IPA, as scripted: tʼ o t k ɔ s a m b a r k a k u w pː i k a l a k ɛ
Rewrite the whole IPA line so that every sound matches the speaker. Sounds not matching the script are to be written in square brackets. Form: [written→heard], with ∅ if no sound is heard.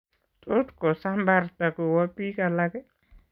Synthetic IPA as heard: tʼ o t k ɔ s a m b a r [k→t] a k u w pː i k a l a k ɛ